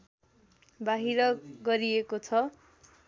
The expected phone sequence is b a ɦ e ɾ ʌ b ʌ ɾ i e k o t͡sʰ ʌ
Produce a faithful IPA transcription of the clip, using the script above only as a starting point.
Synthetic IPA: b a ɦ i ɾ ʌ ɡ ʌ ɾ i e k o t͡sʰ ʌ